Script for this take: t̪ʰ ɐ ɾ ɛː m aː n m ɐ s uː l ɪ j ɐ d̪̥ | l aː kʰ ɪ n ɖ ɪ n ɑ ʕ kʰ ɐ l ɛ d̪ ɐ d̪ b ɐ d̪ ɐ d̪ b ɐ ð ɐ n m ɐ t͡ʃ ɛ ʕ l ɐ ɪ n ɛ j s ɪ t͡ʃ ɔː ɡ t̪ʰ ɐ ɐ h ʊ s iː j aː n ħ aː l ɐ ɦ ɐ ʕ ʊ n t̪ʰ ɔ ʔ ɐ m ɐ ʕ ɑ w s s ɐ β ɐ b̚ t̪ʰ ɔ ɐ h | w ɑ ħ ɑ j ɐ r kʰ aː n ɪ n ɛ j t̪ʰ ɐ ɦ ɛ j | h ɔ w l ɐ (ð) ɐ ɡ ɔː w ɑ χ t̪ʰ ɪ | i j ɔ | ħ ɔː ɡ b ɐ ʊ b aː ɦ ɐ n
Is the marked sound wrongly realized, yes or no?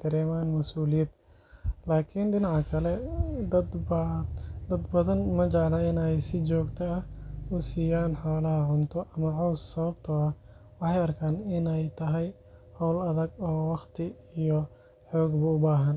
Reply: no